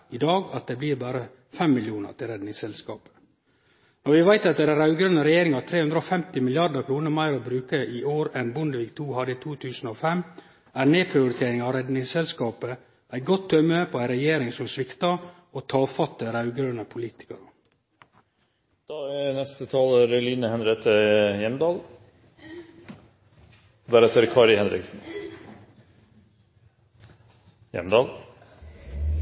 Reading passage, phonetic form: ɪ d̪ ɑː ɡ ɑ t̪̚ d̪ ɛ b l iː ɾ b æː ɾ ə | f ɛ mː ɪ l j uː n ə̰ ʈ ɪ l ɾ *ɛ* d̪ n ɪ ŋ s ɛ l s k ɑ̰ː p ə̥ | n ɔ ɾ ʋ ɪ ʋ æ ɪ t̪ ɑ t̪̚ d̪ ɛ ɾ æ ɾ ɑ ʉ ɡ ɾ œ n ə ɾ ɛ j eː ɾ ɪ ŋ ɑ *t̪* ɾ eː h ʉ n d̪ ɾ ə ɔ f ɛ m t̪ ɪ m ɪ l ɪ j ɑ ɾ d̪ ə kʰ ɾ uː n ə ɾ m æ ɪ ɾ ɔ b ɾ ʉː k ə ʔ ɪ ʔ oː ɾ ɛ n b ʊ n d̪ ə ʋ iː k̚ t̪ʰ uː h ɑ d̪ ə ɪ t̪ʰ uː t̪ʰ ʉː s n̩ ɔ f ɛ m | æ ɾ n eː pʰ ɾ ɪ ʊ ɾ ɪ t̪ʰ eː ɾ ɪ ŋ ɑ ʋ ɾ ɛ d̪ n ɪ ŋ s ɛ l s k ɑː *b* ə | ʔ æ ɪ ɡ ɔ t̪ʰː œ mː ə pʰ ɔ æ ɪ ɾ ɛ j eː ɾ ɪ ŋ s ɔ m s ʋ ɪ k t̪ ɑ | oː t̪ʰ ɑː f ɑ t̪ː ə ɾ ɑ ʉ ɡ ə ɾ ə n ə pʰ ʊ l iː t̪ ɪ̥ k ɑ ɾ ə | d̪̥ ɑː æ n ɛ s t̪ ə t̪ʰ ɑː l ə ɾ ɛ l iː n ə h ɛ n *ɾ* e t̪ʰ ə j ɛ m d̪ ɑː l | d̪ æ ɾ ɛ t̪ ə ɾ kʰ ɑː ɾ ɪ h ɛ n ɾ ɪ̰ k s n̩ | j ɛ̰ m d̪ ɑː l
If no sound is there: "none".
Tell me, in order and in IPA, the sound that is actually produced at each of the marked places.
ɛ, t̪ʰ, p, ɾ

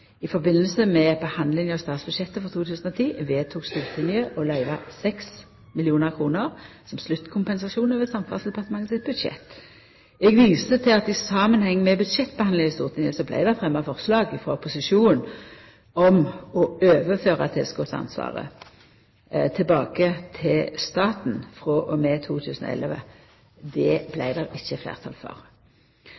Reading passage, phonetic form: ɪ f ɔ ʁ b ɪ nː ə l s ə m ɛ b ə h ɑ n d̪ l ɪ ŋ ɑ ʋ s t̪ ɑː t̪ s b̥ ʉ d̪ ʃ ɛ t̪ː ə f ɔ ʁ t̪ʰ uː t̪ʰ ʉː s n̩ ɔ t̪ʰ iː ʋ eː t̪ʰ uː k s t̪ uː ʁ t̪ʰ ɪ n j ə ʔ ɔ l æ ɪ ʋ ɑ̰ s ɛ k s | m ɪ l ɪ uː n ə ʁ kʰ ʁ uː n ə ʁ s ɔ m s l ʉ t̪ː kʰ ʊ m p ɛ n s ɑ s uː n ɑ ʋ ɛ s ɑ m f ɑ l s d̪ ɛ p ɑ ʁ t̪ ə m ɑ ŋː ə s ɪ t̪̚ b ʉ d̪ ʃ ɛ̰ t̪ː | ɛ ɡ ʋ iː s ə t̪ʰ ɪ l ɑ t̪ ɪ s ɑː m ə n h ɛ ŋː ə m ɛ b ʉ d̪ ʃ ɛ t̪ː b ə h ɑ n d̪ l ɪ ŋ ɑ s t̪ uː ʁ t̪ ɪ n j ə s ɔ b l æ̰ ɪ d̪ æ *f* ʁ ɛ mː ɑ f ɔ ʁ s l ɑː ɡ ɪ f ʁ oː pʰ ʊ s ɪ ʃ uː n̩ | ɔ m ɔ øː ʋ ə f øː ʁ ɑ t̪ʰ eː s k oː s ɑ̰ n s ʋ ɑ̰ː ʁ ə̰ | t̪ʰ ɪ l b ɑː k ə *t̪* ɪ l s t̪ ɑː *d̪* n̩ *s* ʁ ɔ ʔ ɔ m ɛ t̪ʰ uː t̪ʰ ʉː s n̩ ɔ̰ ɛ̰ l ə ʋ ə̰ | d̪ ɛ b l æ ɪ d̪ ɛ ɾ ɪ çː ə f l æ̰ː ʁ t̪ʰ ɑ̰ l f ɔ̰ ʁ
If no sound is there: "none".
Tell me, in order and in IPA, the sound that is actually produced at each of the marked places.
f, t̪ʰ, t̪, f

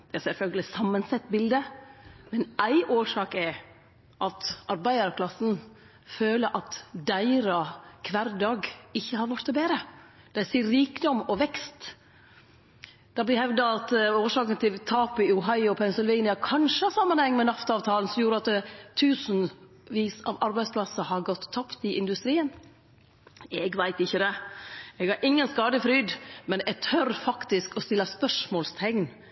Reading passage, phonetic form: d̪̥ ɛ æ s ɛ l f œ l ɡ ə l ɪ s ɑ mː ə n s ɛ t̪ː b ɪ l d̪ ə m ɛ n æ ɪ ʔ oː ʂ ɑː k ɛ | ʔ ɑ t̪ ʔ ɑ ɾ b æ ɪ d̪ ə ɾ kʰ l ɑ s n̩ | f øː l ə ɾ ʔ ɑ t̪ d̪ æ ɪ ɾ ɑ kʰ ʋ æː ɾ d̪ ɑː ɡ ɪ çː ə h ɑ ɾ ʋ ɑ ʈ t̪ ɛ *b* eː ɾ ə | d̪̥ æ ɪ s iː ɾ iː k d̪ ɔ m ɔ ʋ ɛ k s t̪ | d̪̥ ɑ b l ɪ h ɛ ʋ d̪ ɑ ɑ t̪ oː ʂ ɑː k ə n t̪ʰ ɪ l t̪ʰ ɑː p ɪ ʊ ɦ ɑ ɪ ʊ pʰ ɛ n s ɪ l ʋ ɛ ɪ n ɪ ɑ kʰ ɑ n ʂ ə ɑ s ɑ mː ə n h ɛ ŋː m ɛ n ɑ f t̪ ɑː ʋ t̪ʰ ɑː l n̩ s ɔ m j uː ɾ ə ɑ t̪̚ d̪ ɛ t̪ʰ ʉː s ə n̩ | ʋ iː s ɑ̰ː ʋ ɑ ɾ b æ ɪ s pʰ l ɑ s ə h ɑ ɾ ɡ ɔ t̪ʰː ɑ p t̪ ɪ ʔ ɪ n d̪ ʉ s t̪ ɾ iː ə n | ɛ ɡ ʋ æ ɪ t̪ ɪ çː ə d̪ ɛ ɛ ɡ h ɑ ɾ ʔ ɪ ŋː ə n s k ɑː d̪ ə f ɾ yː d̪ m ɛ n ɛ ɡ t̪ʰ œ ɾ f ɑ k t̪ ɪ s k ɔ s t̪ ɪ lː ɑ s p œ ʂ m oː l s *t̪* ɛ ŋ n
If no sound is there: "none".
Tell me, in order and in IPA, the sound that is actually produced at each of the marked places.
b, t̪ʰ

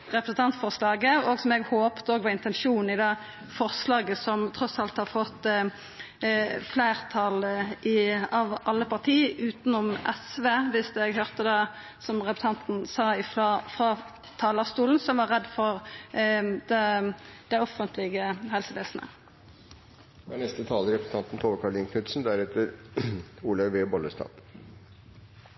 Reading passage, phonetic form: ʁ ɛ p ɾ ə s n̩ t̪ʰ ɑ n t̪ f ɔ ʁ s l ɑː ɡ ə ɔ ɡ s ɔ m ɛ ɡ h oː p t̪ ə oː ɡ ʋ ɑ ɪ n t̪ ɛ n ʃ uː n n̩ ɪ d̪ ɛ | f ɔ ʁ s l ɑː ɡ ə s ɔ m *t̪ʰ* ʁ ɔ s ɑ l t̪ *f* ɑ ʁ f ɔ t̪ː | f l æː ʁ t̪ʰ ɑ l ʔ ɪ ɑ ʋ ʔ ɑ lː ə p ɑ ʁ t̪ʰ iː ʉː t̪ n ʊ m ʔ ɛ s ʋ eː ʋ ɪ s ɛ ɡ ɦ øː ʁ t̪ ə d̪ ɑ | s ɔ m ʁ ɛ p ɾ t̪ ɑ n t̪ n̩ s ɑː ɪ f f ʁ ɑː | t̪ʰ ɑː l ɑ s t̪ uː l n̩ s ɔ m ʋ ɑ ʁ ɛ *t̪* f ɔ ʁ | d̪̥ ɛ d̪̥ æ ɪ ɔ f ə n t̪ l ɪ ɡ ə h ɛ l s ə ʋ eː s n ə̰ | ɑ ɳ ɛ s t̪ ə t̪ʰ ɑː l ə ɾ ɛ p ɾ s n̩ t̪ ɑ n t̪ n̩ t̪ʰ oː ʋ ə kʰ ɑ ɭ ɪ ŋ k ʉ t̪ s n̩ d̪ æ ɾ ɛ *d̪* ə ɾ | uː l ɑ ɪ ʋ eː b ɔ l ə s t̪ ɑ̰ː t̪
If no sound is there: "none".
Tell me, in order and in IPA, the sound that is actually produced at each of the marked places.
t̪ʰ, h, d̪, t̪

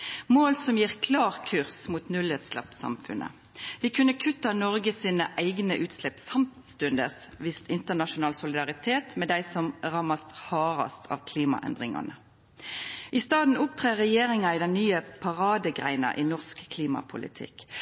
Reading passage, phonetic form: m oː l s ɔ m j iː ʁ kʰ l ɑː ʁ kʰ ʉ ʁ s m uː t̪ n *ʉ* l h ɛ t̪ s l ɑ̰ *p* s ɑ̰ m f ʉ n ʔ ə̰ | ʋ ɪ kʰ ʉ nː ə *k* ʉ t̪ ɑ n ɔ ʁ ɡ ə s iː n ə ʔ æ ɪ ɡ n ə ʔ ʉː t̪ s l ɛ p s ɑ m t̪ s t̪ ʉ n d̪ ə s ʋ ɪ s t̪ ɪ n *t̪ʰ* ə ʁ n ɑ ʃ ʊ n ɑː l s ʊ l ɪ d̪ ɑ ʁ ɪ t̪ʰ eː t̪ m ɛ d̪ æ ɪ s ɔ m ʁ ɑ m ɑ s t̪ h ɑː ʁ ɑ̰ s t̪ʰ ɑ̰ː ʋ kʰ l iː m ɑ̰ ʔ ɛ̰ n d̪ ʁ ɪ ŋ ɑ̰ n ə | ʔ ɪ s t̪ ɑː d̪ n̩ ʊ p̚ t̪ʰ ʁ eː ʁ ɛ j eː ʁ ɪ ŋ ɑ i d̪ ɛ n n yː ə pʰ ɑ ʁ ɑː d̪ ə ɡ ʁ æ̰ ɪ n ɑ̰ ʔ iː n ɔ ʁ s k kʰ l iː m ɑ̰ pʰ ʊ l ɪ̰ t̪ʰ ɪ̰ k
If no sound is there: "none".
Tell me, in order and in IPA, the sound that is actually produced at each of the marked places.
ʉ, p, kʰ, t̪

